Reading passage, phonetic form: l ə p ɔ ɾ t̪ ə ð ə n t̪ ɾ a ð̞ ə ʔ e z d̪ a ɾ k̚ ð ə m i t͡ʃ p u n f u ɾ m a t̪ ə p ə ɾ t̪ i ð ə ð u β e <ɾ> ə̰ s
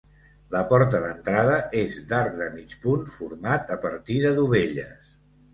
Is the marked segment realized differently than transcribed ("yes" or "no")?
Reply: yes